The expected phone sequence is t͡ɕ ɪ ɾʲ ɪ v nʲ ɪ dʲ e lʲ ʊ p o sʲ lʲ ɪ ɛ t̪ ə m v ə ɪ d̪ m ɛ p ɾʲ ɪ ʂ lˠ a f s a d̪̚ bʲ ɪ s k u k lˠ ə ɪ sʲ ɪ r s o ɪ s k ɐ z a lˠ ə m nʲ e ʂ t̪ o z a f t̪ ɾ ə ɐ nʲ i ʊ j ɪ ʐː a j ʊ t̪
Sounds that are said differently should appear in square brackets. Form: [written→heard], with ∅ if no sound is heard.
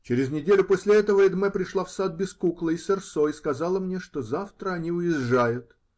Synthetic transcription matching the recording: t͡ɕ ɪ ɾʲ ɪ [v→z] nʲ ɪ dʲ e lʲ ʊ p o sʲ lʲ ɪ ɛ t̪ ə [m→∅] v ə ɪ d̪ m ɛ p ɾʲ ɪ ʂ lˠ a f s a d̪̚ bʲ ɪ s k u k lˠ ə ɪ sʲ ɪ r s o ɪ s k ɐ z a lˠ ə m nʲ e ʂ t̪ o z a f t̪ ɾ ə ɐ nʲ i ʊ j ɪ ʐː a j ʊ t̪